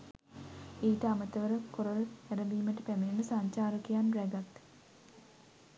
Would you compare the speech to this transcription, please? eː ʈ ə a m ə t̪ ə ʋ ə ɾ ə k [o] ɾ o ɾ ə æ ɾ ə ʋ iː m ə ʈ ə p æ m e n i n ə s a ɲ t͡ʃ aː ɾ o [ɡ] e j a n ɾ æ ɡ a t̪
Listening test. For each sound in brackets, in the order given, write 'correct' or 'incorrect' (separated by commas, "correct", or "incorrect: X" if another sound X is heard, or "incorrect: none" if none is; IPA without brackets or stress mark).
correct, incorrect: k